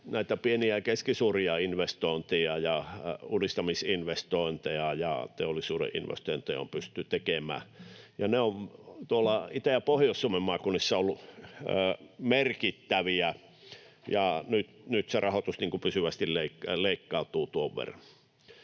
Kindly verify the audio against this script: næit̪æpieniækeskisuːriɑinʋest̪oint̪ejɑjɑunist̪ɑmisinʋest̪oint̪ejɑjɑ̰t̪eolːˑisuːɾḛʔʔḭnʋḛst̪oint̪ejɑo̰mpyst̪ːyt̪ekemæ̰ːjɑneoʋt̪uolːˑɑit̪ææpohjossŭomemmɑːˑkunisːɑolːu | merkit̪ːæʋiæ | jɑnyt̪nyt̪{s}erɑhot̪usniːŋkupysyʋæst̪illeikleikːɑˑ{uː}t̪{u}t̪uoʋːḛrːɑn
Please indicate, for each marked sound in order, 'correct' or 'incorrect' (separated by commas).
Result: correct, incorrect, incorrect